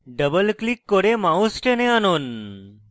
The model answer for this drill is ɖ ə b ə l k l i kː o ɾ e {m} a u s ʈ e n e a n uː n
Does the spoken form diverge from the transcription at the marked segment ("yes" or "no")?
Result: no